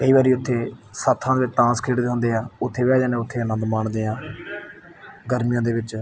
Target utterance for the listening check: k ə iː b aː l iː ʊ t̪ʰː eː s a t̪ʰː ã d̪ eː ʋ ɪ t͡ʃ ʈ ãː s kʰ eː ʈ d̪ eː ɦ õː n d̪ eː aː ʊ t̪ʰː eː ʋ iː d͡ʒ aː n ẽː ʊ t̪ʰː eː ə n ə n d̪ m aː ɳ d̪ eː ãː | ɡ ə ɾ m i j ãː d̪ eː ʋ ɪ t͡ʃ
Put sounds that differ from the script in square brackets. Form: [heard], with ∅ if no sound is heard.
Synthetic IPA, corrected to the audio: k ə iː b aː [ɾ] iː ʊ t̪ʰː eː s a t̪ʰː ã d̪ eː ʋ ɪ t͡ʃ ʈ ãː s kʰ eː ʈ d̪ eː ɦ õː n d̪ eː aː ʊ t̪ʰː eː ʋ [ɛː] d͡ʒ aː n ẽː ʊ t̪ʰː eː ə n ə n d̪ m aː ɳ d̪ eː ãː | ɡ ə ɾ m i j ãː d̪ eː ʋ ɪ t͡ʃ